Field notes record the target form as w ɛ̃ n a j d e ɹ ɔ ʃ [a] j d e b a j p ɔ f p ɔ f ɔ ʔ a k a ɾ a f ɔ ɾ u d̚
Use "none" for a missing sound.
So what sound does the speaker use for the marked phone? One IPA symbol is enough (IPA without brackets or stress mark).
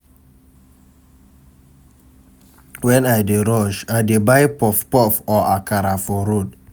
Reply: a